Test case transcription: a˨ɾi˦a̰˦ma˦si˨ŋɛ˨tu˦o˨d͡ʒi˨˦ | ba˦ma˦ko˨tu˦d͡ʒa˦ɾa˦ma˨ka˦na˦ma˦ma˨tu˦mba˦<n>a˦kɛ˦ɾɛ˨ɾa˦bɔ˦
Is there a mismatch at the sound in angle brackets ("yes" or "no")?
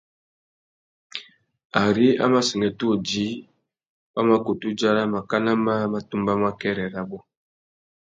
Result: yes